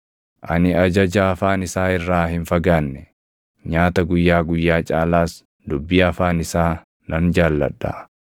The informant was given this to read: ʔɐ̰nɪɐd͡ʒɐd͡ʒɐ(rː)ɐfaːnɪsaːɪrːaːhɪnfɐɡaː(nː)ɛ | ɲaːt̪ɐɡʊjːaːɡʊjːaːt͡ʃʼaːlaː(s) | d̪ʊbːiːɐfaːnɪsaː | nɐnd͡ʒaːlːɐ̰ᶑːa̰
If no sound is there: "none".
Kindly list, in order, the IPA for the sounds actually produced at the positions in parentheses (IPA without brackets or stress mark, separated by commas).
none, nː, s